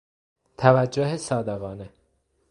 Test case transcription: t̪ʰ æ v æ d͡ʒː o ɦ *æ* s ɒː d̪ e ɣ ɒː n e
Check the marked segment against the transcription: incorrect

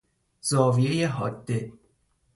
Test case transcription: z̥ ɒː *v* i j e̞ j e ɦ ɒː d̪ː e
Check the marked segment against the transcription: correct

